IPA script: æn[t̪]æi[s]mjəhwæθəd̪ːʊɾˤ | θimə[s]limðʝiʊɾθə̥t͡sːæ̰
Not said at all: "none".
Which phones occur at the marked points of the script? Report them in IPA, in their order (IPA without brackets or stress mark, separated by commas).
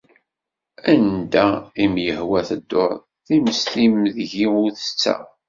d̪, none, s